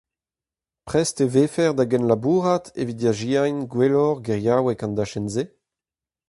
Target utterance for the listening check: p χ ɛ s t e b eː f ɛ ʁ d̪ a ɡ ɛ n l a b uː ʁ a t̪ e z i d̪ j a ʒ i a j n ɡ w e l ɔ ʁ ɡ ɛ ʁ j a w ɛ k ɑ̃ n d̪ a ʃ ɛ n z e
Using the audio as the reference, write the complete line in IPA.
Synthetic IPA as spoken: p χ ɛ s t e v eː f ɛ ʁ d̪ a ɡ ɛ n l a b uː ʁ a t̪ e v i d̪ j a ʒ i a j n ɡ w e l ɔ ʁ ɡ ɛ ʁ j a w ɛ k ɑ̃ n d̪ a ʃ ɛ n z e